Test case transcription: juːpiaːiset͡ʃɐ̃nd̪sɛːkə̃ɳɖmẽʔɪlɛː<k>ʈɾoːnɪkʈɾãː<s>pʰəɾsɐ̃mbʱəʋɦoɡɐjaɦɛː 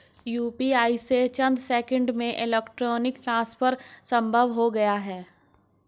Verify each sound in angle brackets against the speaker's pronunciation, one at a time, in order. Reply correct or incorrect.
correct, correct

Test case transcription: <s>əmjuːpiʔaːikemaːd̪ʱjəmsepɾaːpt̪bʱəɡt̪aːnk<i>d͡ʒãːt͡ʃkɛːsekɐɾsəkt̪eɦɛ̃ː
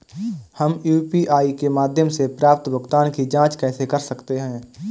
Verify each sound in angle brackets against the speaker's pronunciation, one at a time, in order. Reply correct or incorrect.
incorrect: h, correct

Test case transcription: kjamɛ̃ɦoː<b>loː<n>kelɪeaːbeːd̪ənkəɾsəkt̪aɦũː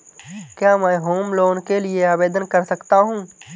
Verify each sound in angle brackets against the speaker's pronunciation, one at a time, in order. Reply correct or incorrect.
incorrect: m, correct

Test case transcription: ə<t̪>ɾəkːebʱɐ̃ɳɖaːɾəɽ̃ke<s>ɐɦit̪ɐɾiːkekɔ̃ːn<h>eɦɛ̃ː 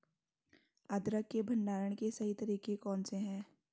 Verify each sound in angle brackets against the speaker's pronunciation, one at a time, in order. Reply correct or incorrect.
incorrect: d̪, correct, incorrect: s

